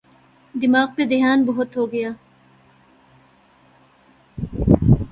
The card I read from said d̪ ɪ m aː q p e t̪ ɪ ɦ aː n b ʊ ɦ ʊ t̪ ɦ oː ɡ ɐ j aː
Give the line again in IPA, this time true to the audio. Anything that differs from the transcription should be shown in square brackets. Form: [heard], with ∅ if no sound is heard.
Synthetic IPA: d̪ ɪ m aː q p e [d̪] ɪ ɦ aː n b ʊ ɦ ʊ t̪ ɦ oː ɡ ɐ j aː